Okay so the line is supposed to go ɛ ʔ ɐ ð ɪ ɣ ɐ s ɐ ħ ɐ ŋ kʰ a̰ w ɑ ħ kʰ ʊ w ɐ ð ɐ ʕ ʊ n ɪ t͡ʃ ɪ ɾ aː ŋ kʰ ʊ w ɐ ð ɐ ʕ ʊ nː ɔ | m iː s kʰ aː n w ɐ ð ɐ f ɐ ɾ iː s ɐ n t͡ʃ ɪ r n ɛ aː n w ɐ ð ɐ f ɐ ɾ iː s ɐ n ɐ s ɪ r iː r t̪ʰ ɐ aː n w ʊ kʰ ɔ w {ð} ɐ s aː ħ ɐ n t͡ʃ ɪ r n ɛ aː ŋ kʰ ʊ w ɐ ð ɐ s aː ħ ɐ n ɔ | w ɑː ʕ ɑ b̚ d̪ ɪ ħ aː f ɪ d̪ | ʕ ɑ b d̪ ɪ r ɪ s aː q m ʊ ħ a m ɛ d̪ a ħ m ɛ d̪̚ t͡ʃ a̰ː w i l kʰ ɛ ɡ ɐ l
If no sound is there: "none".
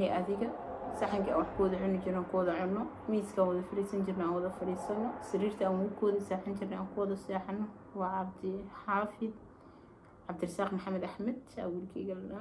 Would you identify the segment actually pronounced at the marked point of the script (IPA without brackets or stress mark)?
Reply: ð